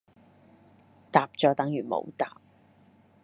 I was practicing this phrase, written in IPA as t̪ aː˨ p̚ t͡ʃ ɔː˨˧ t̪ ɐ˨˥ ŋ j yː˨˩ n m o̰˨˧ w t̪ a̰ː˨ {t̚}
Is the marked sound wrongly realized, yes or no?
yes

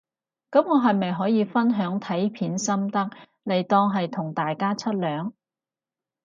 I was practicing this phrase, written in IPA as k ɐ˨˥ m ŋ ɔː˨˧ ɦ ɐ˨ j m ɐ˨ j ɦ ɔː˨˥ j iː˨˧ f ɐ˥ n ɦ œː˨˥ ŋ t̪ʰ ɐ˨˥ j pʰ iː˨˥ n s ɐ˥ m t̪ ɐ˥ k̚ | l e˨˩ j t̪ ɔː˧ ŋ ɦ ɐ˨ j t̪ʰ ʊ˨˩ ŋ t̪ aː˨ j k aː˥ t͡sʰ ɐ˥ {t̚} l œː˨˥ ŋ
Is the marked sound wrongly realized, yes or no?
no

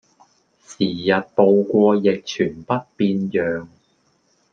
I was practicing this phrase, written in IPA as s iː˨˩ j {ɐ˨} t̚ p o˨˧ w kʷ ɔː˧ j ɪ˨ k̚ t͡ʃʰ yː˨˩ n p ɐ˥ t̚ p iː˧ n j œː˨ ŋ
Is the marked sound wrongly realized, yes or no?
no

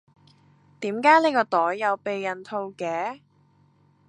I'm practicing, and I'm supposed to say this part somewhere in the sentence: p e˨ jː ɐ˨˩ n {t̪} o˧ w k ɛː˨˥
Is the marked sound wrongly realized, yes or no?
yes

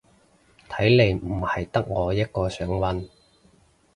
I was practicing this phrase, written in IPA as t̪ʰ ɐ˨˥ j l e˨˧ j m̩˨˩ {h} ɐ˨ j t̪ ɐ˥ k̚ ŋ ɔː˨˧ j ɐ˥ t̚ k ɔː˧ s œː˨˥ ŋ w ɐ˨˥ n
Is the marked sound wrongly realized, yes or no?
no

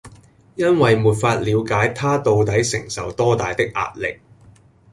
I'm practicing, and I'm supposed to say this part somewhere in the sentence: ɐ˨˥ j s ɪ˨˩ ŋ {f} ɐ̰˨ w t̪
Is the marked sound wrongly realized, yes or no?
yes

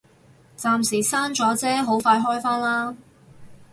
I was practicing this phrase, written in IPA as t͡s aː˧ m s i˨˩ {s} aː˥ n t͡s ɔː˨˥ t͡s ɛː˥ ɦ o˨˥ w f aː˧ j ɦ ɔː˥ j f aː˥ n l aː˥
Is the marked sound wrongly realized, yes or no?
no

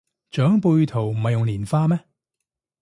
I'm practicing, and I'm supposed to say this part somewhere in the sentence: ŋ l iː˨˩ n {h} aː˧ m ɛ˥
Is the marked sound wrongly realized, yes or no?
yes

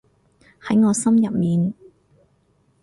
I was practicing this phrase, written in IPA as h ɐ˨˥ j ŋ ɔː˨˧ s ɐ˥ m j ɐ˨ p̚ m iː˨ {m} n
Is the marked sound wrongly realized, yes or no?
yes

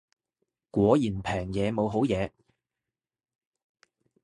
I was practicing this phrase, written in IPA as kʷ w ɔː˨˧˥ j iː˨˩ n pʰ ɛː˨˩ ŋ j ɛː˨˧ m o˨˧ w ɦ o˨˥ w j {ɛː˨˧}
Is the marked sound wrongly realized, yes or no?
no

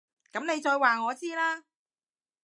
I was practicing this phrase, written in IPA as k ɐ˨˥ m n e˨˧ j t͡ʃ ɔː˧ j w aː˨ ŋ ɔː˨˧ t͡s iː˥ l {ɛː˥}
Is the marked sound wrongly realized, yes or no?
yes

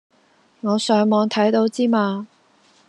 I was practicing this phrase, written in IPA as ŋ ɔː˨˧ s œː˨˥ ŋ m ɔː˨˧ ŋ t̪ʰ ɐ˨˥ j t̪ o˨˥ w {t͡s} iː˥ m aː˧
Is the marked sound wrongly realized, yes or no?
no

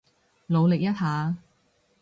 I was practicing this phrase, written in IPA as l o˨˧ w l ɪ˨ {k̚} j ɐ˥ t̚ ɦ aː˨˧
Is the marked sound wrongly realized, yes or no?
no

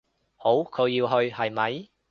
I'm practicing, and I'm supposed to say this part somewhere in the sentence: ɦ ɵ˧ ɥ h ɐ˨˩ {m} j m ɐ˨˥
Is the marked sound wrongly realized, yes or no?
yes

